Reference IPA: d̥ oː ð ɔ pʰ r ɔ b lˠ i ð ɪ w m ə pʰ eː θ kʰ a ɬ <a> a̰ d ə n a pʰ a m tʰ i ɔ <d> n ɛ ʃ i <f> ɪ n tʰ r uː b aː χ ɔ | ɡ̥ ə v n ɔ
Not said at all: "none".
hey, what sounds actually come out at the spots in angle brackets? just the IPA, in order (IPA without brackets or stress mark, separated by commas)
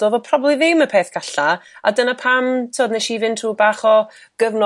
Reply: a, d, v